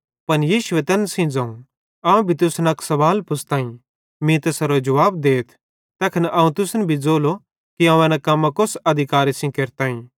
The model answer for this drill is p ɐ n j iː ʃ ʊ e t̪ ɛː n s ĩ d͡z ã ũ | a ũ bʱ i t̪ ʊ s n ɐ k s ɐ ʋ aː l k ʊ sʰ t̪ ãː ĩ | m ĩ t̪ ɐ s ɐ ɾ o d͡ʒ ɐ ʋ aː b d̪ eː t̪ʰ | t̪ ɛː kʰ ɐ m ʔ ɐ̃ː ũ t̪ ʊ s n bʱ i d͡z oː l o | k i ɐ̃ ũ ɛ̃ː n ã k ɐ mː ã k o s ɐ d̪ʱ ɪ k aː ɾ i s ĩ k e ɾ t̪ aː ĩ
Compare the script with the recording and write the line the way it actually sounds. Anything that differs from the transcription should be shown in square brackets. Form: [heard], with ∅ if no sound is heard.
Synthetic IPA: p ɐ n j iː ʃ ʊ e t̪ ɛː n s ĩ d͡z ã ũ | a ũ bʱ i t̪ ʊ s n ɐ k s ɐ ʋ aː l [p] ʊ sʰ t̪ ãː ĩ | m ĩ t̪ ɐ s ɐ ɾ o d͡ʒ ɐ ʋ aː b d̪ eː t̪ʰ | t̪ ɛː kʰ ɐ [n] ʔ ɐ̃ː ũ t̪ ʊ s n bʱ i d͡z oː l o | k i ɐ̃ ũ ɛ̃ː n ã k ɐ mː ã k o s ɐ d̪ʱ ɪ k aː ɾ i s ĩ k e ɾ t̪ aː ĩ

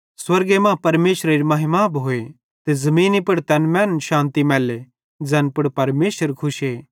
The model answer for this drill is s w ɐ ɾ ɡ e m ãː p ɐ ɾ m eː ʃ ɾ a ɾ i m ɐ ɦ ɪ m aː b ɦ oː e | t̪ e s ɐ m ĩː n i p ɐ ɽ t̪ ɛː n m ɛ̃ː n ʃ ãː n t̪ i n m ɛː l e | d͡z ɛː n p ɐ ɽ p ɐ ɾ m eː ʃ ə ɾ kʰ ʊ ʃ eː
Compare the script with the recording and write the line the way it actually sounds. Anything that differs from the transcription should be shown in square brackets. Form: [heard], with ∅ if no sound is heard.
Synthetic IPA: s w ɐ ɾ ɡ e m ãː p ɐ ɾ m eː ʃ ɾ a ɾ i m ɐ ɦ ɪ m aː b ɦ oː e | t̪ e [z] ɐ m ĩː n i p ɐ ɽ t̪ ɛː n m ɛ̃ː n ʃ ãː n t̪ i [∅] m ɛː l e | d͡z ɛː n p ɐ ɽ p ɐ ɾ m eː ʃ ə ɾ kʰ ʊ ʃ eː

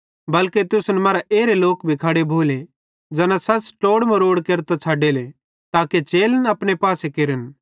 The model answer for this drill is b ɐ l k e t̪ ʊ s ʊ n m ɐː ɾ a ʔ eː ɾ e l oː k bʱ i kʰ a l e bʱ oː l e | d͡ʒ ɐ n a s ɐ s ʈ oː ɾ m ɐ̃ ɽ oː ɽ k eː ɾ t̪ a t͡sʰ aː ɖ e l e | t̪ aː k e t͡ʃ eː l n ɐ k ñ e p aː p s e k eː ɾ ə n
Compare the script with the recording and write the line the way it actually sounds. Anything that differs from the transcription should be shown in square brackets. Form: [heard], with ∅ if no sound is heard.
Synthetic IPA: b ɐ l k e t̪ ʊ s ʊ n m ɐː ɾ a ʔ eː ɾ e l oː k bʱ i kʰ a [ɽ] e bʱ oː l e | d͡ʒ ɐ n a s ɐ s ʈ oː [ɽ] m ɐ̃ [ɾ] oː ɽ k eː ɾ t̪ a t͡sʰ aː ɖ e l e | t̪ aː k e t͡ʃ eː l n ɐ [p] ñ e p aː [∅] s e k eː ɾ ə n

